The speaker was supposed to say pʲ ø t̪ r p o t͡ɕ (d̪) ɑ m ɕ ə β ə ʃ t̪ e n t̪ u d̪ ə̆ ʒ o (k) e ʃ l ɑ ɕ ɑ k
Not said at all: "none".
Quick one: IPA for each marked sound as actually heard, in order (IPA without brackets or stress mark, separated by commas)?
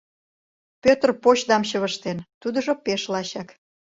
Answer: d̪, p